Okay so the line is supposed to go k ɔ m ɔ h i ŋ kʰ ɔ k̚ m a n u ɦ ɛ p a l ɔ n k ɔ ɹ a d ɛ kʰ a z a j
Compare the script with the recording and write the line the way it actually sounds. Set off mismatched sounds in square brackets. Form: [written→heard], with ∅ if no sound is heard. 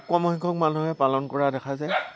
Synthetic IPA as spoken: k ɔ m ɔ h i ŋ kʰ ɔ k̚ m a n u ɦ ɛ p a l ɔ n k ɔ ɹ a d ɛ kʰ a z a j